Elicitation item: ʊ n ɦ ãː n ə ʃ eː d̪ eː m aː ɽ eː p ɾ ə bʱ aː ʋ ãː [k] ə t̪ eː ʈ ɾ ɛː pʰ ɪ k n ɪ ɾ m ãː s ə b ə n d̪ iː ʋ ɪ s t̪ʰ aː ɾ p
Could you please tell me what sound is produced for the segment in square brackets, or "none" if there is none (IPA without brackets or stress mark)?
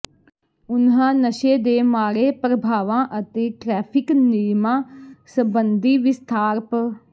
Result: ʔ